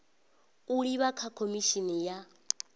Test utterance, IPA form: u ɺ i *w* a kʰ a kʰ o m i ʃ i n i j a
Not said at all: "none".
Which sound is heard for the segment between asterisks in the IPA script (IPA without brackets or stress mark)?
β